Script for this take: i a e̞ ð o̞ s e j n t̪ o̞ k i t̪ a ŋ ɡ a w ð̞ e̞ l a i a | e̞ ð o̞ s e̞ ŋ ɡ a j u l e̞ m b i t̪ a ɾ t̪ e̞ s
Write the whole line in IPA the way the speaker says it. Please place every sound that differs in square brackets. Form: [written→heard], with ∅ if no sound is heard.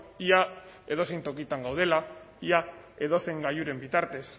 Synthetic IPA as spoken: i a e̞ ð o̞ s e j n t̪ o̞ k i t̪ a ŋ ɡ a w ð̞ e̞ l a i a | e̞ ð o̞ s e̞ ŋ ɡ a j u [l→ɾ] e̞ m b i t̪ a ɾ t̪ e̞ s